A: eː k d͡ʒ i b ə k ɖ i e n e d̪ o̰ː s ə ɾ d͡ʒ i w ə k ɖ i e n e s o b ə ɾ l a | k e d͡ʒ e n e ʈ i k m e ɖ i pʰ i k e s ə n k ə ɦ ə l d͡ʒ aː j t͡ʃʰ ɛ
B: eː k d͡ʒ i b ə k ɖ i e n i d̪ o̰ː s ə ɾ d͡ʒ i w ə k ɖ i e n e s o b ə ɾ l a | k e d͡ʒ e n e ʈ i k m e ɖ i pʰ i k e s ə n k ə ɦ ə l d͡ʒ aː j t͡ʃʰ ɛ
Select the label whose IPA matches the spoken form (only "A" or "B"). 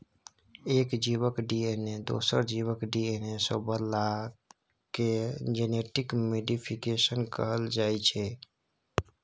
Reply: A